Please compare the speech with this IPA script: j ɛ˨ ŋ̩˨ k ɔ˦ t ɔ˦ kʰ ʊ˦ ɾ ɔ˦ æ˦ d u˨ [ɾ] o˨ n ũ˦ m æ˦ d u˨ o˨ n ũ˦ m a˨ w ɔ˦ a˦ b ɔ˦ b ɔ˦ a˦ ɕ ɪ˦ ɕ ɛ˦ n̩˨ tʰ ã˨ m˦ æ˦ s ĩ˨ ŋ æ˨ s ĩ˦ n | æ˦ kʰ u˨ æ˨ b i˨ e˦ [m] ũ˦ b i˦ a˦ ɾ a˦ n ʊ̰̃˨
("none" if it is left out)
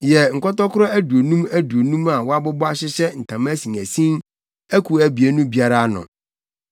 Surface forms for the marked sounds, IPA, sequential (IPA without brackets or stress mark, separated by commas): none, n